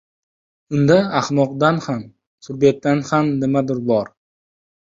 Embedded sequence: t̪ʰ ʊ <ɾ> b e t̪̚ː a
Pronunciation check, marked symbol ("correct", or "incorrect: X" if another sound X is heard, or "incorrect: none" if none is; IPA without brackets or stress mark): correct